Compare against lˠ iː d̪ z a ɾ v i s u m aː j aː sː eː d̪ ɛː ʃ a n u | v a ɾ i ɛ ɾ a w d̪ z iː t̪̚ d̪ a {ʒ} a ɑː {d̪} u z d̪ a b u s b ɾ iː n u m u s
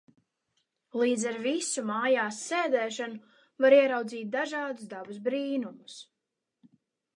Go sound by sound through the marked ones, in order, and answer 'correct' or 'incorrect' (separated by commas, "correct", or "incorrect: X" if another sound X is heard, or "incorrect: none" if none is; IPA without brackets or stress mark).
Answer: correct, correct